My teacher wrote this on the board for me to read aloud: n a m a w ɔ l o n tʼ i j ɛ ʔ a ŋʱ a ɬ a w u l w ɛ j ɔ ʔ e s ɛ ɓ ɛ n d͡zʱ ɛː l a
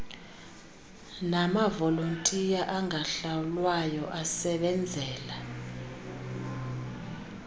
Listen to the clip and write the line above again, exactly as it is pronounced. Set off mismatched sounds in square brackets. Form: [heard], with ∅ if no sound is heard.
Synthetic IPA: n a m a [v] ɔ l o n tʼ i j [a] ʔ a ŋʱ a ɬ a w u l w [a] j ɔ ʔ [a] s ɛ ɓ ɛ n d͡zʱ ɛː l a